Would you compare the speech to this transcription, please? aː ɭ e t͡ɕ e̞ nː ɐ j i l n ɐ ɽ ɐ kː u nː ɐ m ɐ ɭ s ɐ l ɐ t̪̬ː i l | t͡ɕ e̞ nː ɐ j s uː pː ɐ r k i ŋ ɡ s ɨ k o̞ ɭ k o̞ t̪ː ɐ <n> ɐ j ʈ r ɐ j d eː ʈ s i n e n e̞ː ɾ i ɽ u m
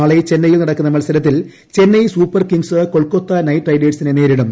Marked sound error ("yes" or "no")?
no